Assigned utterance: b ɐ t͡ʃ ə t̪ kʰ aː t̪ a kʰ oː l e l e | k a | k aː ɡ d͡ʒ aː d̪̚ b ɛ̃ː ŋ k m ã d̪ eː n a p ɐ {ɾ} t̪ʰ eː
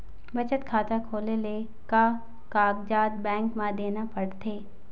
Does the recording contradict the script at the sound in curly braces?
yes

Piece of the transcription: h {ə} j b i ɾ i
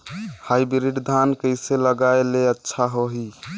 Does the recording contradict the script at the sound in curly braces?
yes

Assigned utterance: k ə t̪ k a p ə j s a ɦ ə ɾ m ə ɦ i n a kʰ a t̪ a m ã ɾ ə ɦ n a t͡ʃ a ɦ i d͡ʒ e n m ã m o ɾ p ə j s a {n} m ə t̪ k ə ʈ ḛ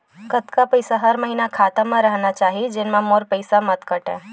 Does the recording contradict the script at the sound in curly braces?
yes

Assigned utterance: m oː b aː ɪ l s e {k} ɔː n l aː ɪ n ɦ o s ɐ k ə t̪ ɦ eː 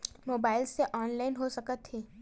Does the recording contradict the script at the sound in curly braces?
yes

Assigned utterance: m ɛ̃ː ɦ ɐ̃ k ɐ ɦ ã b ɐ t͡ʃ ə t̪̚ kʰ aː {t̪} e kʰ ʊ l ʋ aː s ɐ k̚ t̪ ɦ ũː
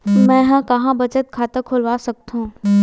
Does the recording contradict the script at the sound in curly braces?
no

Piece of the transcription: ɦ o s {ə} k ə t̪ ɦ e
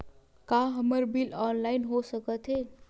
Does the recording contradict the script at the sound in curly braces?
no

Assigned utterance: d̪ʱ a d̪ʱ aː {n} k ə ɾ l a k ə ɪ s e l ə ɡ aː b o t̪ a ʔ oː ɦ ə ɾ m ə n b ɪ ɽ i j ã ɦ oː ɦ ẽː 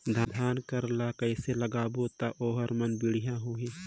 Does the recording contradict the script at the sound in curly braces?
no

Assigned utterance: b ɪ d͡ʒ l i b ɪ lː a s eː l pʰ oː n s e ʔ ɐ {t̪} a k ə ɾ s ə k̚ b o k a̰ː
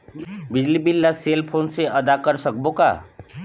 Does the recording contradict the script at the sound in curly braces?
yes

